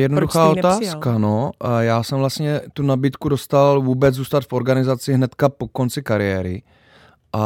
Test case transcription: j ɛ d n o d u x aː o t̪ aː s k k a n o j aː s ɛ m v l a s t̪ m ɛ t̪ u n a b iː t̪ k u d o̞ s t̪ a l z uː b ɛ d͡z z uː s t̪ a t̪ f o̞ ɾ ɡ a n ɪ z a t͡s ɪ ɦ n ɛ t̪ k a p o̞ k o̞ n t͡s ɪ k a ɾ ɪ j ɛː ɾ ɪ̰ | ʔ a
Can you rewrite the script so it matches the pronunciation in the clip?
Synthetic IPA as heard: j ɛ d n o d u x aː o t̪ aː s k k a n o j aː s ɛ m v l a s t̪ ɲ ɛ t̪ u n a b iː t̪ k u d o̞ s t̪ a l v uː b ɛ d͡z z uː s t̪ a t̪ f o̞ ɾ ɡ a n ɪ z a t͡s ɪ ɦ n ɛ t̪ k a p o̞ k o̞ n t͡s ɪ k a ɾ ɪ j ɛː ɾ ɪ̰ | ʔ a